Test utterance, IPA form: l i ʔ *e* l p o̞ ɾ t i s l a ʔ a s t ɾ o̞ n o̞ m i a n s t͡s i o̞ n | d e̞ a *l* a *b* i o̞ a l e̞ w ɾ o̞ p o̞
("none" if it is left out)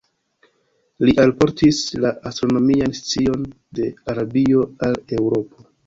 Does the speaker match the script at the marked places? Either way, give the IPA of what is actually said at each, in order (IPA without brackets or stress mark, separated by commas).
a, ɾ, b